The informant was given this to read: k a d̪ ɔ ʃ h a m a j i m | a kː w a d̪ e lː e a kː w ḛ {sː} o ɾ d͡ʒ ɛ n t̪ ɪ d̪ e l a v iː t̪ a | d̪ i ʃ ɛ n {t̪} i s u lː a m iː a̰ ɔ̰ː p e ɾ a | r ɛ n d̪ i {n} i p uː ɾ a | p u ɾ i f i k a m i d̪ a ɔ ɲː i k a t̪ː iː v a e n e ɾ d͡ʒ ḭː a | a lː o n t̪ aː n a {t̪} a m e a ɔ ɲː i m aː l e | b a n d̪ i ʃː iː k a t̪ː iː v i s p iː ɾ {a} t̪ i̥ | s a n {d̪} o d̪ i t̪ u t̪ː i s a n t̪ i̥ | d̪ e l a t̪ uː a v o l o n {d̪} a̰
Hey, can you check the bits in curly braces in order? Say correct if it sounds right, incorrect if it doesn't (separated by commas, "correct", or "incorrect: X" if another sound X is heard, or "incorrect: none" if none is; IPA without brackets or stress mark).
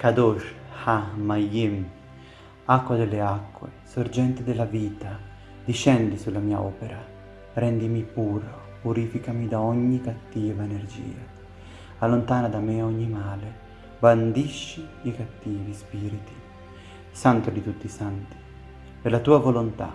incorrect: s, incorrect: d̪, incorrect: m, incorrect: d̪, incorrect: i, incorrect: t̪, incorrect: t̪